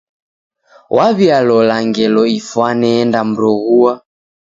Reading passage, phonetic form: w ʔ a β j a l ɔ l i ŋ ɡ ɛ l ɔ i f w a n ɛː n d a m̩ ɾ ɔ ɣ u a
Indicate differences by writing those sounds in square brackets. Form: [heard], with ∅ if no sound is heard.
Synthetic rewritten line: w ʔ a β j a l ɔ l [a] ŋ ɡ ɛ l ɔ i f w a n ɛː n d a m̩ ɾ ɔ ɣ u a